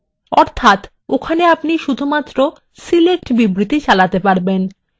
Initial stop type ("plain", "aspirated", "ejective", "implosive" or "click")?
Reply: aspirated